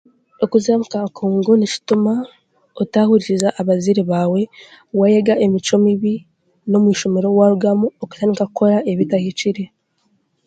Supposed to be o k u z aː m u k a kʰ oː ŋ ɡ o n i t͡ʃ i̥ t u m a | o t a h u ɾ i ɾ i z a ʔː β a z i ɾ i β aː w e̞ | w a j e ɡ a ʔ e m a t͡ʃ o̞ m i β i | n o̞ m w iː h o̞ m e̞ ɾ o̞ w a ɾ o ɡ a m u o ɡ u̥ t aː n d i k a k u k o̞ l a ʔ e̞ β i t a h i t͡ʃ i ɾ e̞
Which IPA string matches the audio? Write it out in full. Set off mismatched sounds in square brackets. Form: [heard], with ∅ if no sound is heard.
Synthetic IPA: o k u z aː m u k a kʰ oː ŋ ɡ o n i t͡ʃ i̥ t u m a | o t a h u ɾ i ɾ i z a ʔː β a z i ɾ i β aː w e̞ | w a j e ɡ a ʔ e m [i] t͡ʃ o̞ m i β i | n o̞ m w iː [ʃ] o̞ m e̞ ɾ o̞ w a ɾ [u] ɡ a m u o [k] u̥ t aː n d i k a k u k o̞ [ɾ] a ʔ e̞ β i t a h i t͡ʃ i ɾ e̞